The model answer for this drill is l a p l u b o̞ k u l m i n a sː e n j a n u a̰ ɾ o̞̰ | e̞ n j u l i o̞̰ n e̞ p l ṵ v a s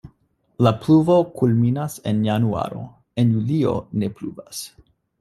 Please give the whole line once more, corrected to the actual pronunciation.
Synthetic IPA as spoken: l a p l u v o̞ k u l m i n a s e n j a n u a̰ ɾ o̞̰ | e̞ n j u l i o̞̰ n e̞ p l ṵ v a s